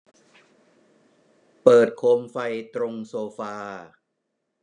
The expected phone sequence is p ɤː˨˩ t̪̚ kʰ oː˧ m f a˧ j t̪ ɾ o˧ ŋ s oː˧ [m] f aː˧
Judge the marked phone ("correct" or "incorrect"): incorrect